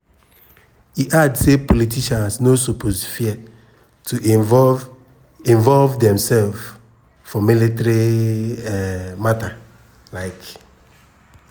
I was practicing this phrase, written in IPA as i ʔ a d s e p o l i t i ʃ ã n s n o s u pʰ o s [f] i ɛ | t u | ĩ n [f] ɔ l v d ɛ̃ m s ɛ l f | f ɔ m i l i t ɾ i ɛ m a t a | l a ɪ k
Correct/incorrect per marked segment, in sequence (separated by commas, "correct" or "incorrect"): correct, incorrect